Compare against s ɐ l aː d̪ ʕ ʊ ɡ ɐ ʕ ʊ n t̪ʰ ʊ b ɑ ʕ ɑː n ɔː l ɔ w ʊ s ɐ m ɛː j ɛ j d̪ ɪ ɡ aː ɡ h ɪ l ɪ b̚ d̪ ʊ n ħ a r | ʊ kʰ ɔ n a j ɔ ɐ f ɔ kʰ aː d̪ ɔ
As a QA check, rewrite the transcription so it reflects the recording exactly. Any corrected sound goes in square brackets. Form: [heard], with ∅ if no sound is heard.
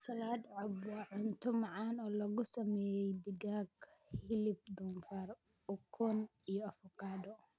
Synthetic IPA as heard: s ɐ l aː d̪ ʕ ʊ [b] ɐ ʕ ʊ n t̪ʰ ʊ [m] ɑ ʕ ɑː n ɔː l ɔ [ɣ] ʊ s ɐ m ɛː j ɛ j d̪ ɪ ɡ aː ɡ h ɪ l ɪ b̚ d̪ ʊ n [f] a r | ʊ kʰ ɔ n [i] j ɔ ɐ f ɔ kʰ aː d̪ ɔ